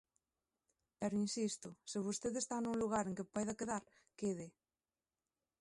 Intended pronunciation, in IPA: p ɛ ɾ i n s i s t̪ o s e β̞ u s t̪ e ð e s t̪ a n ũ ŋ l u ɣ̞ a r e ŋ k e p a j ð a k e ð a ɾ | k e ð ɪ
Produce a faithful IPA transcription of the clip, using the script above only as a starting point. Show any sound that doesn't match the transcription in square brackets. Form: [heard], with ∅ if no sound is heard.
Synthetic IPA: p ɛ ɾ i n s i s t̪ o s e β̞ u s t̪ e ð e s t̪ a n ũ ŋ l u ɣ̞ a [ɾ] e ŋ k e p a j ð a k e ð a ɾ | k e ð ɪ